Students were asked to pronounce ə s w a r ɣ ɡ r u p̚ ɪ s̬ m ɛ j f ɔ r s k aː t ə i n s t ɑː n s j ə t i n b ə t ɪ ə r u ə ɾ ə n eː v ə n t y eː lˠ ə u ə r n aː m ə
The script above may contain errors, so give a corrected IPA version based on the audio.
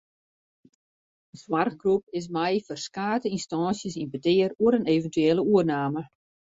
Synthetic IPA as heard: ə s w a r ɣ ɡ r u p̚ ɪ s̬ m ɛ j f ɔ r s k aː t ə i n s t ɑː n s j ə s i n b ə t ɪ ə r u ə ɾ ə n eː v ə n t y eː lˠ ə u ə r n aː m ə